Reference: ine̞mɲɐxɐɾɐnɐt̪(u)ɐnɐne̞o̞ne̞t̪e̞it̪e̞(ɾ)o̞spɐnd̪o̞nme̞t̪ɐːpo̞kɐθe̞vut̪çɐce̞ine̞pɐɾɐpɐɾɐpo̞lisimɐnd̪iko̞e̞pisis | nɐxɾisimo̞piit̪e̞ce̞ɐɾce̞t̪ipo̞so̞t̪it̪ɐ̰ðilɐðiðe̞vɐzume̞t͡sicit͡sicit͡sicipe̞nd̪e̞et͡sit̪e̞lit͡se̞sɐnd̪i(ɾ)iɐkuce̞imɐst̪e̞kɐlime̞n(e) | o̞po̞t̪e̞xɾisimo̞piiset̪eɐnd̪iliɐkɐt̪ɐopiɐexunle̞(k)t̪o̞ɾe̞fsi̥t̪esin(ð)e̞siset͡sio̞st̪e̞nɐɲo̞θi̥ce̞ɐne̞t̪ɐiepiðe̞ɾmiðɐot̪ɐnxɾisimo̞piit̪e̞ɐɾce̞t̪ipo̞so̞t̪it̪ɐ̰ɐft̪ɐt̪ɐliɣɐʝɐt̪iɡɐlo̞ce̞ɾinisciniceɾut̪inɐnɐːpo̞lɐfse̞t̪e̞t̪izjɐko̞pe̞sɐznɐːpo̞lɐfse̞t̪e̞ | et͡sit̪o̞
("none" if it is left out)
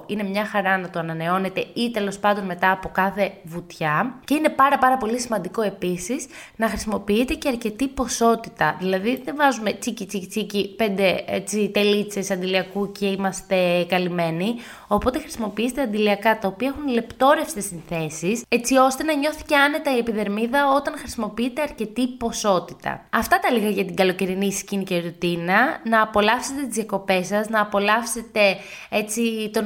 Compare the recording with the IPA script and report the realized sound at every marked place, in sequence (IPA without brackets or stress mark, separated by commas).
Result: o, l, l, i, p, θ